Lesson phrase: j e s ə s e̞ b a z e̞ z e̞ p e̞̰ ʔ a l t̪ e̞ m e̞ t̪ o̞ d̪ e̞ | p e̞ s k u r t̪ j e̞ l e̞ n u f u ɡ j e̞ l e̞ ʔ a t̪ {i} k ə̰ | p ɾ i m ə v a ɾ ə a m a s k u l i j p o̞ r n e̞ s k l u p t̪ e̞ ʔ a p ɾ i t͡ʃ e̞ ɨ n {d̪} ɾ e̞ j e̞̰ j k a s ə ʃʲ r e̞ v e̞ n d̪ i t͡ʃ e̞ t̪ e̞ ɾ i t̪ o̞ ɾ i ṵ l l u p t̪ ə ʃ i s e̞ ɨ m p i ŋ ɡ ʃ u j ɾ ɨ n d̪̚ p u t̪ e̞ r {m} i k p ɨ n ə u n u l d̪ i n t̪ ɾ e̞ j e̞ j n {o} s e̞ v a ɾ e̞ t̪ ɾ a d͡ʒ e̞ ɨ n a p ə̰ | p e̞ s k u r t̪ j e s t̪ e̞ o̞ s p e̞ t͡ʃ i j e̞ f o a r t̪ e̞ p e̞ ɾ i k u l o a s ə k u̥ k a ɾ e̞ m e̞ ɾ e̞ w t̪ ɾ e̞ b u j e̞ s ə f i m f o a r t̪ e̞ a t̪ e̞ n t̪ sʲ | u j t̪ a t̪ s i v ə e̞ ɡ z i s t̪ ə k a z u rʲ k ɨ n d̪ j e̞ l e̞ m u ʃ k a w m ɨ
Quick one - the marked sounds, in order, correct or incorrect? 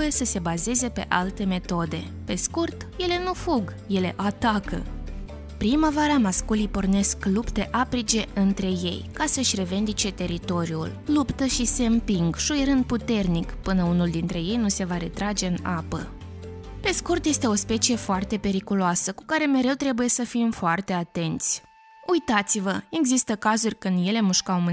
incorrect: a, incorrect: t̪, incorrect: n, incorrect: u

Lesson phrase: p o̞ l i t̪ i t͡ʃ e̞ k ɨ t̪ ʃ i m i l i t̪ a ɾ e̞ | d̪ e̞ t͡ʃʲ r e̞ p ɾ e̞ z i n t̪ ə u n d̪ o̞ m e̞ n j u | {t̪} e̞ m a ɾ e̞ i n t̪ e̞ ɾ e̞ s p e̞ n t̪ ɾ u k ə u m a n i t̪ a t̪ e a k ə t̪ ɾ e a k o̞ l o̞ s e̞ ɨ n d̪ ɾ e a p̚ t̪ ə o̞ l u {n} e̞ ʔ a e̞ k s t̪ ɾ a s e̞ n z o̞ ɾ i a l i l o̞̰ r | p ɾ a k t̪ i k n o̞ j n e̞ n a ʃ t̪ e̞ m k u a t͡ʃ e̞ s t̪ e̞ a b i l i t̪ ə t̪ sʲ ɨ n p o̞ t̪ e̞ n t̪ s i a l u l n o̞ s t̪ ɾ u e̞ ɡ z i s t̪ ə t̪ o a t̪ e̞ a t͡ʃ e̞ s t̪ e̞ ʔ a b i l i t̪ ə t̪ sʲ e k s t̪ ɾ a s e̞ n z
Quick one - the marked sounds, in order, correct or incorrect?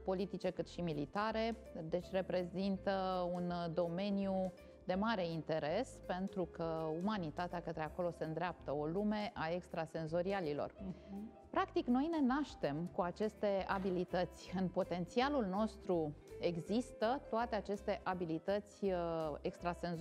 incorrect: d̪, incorrect: m

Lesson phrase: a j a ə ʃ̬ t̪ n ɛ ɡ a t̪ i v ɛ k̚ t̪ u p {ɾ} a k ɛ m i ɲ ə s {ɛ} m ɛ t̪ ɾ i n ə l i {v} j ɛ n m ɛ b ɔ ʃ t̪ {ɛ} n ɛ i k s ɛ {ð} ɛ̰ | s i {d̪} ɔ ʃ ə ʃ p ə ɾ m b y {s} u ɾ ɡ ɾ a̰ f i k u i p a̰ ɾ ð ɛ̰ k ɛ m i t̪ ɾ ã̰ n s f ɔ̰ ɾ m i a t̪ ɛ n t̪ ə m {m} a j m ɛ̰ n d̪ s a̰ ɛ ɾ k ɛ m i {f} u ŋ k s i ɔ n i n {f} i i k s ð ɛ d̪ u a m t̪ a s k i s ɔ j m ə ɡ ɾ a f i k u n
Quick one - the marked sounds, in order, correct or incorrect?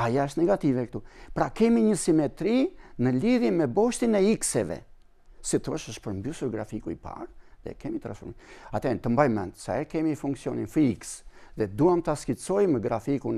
correct, incorrect: i, incorrect: ð, incorrect: i, incorrect: v, incorrect: t̪, correct, incorrect: b, correct, correct

